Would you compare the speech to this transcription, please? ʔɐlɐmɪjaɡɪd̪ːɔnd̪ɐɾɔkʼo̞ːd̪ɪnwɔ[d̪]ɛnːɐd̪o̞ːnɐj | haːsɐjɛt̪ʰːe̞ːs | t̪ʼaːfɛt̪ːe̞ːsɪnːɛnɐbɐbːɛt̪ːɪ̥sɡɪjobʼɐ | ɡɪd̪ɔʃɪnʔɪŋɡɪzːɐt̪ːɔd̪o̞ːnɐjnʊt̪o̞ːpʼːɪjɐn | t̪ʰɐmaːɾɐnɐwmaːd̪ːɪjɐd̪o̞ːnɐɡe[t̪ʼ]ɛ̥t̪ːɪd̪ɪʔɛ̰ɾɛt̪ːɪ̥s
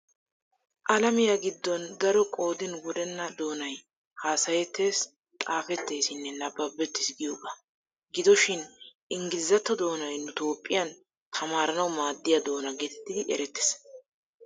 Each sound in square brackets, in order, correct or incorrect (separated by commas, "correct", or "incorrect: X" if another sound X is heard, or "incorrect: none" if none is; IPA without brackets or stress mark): correct, incorrect: t̪